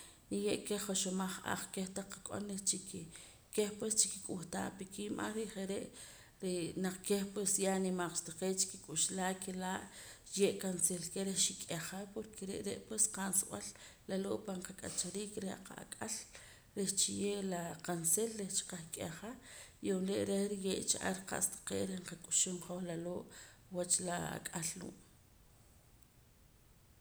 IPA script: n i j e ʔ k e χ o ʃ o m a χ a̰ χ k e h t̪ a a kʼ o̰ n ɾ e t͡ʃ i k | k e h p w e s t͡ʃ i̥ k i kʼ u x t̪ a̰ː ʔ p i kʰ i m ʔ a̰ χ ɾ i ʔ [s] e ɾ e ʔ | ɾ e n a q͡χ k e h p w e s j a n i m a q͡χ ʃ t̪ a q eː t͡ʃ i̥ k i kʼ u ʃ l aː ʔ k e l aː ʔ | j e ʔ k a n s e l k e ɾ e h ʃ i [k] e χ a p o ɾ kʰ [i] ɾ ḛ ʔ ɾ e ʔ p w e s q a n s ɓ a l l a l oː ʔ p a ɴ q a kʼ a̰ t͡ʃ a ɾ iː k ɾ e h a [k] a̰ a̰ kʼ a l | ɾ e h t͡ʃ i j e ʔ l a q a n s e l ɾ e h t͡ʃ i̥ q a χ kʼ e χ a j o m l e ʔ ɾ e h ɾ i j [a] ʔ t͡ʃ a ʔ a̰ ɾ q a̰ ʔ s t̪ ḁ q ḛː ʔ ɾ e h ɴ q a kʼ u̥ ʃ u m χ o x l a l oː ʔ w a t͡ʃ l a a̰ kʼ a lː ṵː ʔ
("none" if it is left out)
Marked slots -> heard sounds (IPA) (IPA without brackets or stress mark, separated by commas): χ, kʼ, e, q, e